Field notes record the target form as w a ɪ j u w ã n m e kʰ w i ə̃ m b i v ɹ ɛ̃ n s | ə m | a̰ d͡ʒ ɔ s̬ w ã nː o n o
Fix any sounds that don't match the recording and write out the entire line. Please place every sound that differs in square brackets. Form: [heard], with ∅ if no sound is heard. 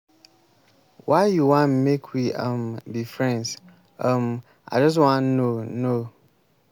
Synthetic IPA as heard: w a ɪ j u w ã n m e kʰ w i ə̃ m b i [f] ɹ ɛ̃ n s | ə m | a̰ d͡ʒ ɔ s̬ w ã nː o n o